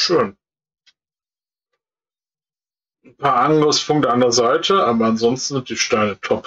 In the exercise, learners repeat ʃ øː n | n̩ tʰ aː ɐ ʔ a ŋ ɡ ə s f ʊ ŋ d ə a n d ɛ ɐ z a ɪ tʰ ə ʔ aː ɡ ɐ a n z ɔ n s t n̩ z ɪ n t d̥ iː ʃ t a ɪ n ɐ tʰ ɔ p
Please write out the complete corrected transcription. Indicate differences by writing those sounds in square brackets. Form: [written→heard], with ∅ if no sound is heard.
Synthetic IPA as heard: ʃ øː n | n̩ [tʰ→pʰ] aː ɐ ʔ a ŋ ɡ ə s f ʊ ŋ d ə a n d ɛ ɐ z a ɪ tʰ ə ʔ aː [ɡ→b] ɐ a n z ɔ n s t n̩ z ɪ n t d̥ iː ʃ t a ɪ n [ɐ→ə] tʰ ɔ p